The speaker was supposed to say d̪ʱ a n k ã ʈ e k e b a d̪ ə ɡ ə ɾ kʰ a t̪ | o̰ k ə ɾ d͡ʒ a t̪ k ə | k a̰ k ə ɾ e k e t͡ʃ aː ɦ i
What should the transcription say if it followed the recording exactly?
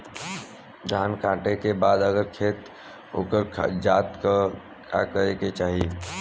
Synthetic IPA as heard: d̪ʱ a n k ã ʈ e k e b a d̪ ə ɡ ə ɾ kʰ e t̪ | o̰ k ə ɾ d͡ʒ a t̪ k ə | k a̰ k ə ɾ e k e t͡ʃ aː ɦ i